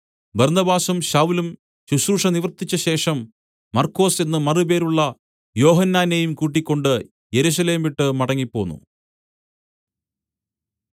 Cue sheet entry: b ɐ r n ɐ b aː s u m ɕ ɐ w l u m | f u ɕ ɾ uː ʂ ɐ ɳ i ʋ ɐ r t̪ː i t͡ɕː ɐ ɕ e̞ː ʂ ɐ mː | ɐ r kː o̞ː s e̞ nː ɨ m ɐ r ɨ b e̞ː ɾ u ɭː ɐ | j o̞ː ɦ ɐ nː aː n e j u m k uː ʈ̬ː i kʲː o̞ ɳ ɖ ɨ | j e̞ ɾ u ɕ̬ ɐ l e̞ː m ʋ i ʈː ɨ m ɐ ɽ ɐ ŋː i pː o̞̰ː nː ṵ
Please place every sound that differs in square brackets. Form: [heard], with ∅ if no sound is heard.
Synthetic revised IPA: b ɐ r n ɐ b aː s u m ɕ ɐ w l u m | [ɕ] u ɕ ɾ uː ʂ ɐ [n] i ʋ ɐ r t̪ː i t͡ɕː ɐ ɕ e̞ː ʂ ɐ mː | ɐ r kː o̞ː s e̞ nː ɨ m ɐ r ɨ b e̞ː ɾ u ɭː ɐ | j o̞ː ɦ ɐ nː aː n e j u m k uː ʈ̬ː i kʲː o̞ ɳ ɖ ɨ | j e̞ ɾ u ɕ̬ ɐ l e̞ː m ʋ i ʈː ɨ m ɐ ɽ ɐ ŋː i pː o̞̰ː nː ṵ